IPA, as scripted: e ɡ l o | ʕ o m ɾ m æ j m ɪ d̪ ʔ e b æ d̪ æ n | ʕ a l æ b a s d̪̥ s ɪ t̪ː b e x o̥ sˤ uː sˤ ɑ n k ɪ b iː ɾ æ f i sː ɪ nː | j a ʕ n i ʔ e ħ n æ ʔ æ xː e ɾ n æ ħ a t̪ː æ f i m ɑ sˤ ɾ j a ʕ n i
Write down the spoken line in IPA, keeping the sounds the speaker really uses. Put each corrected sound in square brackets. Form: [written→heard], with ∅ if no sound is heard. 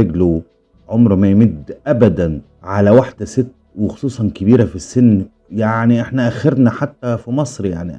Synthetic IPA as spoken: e ɡ l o | ʕ o m ɾ m æ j m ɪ d̪ ʔ [e→æ] b æ d̪ æ n | ʕ a l æ [b→w] a [s→ħ] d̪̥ s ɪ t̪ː [b→w] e x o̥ sˤ uː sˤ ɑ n k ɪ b iː ɾ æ f i sː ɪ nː | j a ʕ n i ʔ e ħ n æ ʔ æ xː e ɾ n æ ħ a t̪ː æ f i m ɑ sˤ ɾ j a ʕ n i